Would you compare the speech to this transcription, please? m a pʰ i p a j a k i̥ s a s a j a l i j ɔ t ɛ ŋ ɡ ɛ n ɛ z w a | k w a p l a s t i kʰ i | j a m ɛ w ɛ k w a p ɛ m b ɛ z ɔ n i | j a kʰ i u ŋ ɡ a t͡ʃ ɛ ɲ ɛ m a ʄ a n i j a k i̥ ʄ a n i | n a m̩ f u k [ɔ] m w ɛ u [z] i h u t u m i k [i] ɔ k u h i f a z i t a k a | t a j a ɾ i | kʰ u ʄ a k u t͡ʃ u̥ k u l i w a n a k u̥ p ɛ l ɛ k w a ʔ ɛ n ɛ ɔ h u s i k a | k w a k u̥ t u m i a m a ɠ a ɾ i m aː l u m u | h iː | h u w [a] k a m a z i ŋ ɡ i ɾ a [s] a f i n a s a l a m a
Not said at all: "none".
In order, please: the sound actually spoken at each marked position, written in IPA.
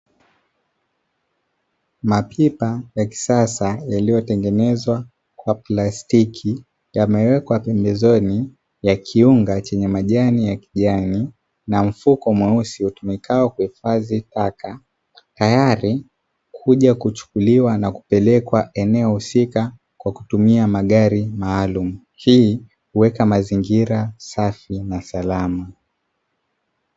ɔ, s, a, ɛ, s

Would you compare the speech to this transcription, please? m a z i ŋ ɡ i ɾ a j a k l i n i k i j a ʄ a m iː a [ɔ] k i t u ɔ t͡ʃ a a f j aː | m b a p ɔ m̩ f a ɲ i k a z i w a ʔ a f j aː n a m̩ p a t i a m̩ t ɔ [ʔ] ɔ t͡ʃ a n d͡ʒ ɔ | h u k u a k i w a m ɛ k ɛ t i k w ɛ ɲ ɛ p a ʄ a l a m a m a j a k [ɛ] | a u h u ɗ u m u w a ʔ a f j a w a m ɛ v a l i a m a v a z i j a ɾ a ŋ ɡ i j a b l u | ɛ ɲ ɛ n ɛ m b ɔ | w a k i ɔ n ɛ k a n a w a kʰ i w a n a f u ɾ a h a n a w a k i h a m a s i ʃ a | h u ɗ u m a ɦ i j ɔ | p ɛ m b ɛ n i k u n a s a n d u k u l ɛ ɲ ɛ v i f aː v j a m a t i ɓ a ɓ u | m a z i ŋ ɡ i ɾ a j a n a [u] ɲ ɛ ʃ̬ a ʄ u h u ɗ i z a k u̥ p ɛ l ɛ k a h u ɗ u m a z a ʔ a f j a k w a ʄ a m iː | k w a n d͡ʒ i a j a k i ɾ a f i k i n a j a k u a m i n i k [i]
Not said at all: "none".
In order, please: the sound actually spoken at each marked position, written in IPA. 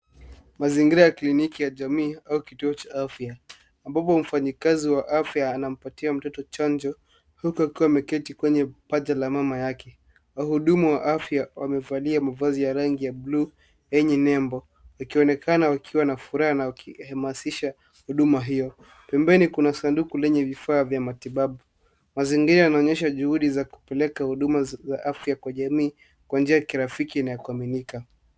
u, t, ɛ, ɔ, a

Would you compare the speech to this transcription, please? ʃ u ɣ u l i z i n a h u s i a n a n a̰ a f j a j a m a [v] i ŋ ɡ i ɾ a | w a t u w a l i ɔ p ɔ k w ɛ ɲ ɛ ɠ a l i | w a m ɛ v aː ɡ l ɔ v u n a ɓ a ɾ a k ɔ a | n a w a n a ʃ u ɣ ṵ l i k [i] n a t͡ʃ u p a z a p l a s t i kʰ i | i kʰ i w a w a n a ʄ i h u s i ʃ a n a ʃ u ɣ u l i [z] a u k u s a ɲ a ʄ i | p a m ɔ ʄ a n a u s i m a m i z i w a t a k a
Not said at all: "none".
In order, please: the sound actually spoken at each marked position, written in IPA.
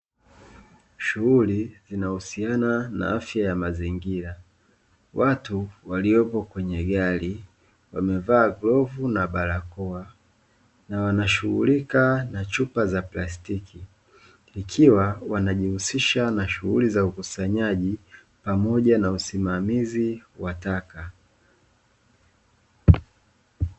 z, a, z

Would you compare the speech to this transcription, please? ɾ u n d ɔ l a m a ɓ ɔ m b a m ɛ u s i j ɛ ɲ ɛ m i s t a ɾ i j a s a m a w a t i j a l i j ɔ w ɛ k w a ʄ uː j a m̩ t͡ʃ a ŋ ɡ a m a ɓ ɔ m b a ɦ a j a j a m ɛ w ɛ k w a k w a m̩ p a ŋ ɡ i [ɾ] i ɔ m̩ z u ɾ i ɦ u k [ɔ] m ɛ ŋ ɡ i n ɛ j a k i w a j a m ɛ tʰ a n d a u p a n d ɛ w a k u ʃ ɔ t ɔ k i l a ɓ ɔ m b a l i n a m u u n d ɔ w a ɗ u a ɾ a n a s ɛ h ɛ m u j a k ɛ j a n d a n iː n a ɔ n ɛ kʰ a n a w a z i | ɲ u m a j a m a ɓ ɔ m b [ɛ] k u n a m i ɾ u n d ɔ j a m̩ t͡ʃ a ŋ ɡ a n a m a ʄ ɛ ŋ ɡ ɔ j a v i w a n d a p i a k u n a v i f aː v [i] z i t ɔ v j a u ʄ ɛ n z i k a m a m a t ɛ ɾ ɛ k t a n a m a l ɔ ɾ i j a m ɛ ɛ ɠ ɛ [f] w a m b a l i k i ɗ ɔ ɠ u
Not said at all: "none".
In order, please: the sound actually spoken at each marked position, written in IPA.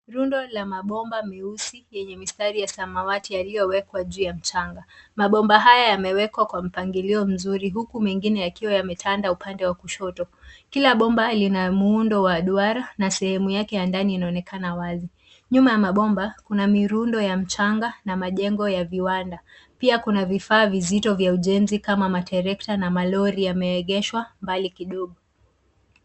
l, u, a, i, ʃ

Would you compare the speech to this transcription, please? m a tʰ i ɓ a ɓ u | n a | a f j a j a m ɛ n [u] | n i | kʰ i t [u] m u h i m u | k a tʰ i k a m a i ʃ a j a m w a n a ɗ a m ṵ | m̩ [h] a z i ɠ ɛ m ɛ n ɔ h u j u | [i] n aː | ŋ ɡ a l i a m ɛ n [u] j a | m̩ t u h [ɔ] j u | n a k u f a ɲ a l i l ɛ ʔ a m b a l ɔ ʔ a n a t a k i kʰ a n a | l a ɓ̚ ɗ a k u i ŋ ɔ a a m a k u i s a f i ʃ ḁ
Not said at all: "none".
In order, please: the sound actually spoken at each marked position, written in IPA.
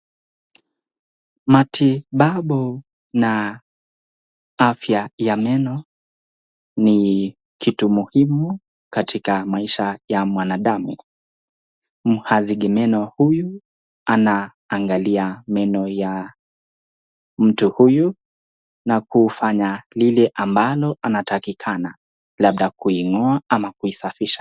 ɔ, u, h, a, ɔ, u

